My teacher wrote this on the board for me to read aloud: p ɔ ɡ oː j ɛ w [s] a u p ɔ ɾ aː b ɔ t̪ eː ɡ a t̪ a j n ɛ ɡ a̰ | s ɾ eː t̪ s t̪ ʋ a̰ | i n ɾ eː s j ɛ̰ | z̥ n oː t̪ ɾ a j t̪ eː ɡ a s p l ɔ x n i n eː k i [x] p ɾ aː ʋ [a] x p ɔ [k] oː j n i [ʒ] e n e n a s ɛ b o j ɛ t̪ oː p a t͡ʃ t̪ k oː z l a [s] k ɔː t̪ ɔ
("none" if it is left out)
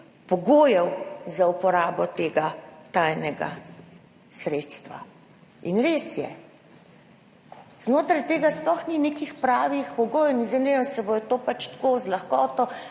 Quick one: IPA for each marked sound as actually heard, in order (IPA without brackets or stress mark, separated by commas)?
z, x, i, ɡ, z, x